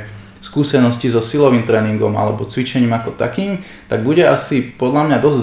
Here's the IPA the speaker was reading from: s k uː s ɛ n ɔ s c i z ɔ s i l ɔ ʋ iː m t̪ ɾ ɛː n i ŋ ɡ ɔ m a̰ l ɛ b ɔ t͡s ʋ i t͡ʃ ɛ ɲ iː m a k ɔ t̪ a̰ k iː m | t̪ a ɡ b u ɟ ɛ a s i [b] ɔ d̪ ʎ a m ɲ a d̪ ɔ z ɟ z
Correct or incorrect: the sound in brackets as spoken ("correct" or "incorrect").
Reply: incorrect